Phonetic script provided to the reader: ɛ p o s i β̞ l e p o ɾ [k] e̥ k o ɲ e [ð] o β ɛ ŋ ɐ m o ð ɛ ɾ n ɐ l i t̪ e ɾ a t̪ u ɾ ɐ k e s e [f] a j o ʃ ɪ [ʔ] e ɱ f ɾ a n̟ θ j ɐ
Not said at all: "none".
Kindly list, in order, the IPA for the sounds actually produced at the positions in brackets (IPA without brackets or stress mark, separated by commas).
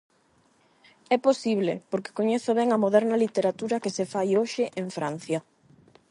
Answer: k, θ, f, ʔ